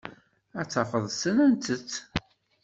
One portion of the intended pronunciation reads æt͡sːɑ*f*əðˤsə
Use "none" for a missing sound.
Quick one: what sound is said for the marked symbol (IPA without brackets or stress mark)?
f